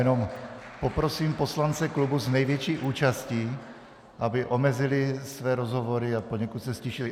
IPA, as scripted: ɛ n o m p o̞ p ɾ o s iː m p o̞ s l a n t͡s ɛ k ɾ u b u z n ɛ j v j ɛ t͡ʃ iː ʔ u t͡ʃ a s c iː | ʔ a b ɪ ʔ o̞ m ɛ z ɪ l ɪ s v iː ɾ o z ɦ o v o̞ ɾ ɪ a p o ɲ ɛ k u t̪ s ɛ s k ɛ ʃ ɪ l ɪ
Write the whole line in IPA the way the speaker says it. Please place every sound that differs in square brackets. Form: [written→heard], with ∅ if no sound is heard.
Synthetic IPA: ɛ n o m p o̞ p ɾ o s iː m p o̞ s l a n t͡s ɛ k [ɾ→l] u b u z n ɛ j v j ɛ t͡ʃ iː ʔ [u→uː] t͡ʃ a s c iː | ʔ a b ɪ ʔ o̞ m ɛ z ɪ l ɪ s v [iː→ɛː] ɾ o z ɦ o v o̞ ɾ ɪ a p o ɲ ɛ k u t̪ s ɛ s [k→c] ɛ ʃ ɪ l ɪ